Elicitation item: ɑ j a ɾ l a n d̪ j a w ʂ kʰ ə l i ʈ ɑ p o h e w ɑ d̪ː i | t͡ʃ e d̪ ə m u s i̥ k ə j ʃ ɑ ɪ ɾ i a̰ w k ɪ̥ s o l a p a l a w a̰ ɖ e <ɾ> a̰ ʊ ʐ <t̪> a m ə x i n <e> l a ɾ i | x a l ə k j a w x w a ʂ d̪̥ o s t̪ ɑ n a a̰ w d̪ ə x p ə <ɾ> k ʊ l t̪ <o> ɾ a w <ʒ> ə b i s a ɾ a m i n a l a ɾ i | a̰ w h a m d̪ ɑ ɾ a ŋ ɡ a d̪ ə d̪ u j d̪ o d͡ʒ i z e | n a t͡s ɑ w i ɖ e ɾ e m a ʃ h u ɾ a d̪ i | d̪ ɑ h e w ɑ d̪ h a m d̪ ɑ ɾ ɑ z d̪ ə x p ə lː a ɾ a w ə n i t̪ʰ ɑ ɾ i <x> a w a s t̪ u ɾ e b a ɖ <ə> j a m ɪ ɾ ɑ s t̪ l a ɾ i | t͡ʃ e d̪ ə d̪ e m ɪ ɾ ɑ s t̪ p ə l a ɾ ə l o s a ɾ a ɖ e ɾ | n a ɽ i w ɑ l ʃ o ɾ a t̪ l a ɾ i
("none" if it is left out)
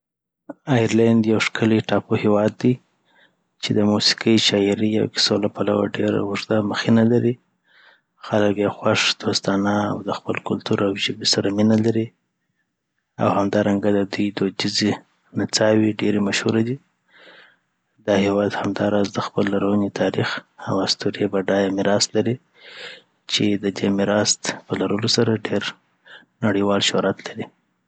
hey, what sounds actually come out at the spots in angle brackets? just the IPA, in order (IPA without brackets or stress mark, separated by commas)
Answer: ɾ, d̪, a, l, u, ʒ, x, ɑ